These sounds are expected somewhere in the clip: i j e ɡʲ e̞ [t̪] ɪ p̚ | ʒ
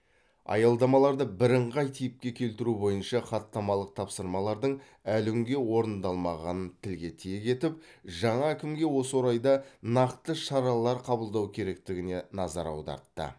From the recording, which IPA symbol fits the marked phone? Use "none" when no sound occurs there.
t̪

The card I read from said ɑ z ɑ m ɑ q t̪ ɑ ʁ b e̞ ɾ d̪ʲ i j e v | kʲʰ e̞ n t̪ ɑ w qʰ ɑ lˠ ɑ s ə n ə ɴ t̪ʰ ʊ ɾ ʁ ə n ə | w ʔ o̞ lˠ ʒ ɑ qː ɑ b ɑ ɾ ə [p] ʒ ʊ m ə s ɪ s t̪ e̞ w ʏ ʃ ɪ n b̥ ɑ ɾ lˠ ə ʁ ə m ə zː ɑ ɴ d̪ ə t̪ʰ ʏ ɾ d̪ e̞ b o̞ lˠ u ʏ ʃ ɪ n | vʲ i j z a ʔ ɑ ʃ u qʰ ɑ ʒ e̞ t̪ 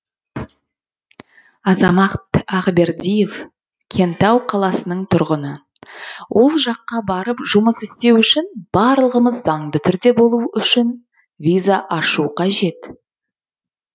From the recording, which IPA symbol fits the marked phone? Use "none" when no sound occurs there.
p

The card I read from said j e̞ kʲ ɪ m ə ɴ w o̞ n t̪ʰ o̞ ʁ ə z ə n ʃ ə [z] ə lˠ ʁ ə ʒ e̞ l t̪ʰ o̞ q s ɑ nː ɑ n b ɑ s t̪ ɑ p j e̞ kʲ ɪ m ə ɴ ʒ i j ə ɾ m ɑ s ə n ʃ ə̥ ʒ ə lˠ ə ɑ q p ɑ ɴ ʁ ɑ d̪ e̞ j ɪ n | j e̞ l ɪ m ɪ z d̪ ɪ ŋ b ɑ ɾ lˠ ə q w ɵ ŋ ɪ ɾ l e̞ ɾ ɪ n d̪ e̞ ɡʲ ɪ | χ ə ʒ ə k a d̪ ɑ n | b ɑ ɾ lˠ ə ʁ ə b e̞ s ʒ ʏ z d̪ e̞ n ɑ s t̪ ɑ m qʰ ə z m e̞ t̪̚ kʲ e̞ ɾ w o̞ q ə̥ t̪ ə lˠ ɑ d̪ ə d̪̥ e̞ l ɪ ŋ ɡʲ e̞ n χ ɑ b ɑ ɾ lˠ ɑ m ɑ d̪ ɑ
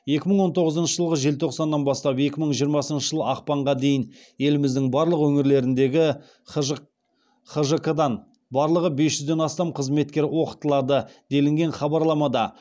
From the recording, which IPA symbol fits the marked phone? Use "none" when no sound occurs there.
ʒ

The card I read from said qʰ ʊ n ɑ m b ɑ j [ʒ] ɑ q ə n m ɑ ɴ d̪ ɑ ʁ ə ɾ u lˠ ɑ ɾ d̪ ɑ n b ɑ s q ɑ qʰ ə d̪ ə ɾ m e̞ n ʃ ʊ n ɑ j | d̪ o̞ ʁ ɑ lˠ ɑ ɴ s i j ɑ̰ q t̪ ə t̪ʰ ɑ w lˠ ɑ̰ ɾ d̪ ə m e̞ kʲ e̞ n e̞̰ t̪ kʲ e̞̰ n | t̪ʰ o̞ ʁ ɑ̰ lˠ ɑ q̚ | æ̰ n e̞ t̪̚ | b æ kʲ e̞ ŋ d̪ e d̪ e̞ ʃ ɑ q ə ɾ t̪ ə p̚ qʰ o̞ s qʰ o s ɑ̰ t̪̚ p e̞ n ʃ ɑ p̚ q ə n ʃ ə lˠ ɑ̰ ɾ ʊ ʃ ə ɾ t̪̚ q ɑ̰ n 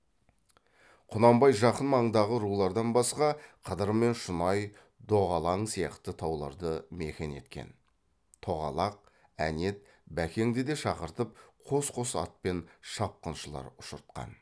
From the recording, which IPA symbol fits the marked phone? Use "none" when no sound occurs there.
ʒ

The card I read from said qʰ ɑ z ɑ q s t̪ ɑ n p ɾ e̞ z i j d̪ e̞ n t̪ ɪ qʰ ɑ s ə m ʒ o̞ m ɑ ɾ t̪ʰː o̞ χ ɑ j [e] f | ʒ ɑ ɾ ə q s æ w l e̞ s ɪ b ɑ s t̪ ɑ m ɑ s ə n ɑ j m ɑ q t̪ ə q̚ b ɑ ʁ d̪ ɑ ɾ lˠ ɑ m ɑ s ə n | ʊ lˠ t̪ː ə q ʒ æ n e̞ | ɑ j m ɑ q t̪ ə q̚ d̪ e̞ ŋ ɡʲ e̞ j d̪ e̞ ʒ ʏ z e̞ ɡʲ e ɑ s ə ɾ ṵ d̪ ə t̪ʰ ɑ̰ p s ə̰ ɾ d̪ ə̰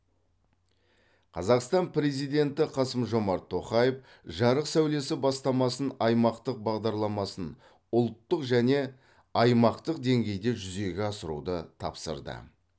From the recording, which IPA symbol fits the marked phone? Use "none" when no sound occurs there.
e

